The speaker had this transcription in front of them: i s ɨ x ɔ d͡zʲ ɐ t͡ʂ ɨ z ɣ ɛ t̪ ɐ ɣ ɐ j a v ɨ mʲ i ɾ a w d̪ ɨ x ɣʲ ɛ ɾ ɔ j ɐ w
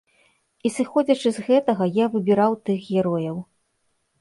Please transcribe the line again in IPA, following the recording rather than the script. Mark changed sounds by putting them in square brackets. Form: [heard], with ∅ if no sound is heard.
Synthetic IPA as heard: i s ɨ x ɔ d͡zʲ ɐ t͡ʂ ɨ z ɣ ɛ t̪ ɐ ɣ ɐ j a v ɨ [bʲ] i ɾ a w [t̪] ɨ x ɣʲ ɛ ɾ ɔ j ɐ w